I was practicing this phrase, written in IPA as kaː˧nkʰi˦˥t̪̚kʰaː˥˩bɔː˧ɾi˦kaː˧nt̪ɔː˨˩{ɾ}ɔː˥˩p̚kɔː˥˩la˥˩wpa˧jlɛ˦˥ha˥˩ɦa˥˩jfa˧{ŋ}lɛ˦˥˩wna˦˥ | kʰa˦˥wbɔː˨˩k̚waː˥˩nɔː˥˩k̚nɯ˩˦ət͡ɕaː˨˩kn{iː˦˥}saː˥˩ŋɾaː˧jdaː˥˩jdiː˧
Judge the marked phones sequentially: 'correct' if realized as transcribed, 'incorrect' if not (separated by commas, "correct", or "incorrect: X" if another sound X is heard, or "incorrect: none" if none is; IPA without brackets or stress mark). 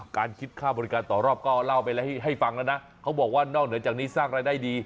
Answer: correct, correct, correct